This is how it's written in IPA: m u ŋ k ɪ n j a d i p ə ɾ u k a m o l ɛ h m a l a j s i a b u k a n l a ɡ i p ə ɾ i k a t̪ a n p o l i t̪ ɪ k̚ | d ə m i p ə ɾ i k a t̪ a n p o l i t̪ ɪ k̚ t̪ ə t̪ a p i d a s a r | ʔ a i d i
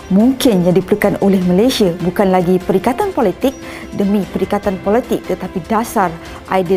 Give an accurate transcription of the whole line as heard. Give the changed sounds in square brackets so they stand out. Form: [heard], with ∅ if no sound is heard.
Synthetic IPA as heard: m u ŋ k ɪ n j a d i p ə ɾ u k a [n] o l ɛ h m a l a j s i a b u k a n l a ɡ i p ə ɾ i k a t̪ a n p o l i t̪ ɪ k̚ | d ə m i p ə ɾ i k a t̪ a n p o l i t̪ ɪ k̚ t̪ ə t̪ a p i d a s a r | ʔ a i d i